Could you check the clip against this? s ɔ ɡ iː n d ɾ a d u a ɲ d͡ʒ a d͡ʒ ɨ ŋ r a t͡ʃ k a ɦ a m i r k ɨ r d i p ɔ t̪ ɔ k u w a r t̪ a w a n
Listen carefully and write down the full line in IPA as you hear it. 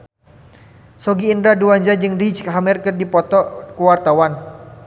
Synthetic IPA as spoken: s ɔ ɡ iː n d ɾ a d u a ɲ d͡ʒ a d͡ʒ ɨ ŋ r i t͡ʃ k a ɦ a m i r k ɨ r d i p ɔ t̪ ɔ k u w a r t̪ a w a n